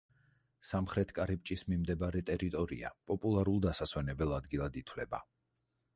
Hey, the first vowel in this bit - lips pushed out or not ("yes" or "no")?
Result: no